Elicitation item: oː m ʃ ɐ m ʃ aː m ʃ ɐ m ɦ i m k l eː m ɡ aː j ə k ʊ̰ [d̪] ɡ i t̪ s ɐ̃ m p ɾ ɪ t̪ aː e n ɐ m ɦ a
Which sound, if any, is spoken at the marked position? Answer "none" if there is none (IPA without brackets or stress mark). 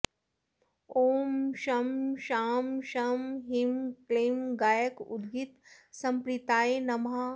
d̪